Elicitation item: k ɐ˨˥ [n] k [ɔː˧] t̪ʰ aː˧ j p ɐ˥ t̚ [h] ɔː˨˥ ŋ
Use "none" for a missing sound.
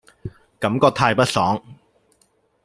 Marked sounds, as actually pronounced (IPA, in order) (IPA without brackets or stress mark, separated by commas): m, ɔː˧, s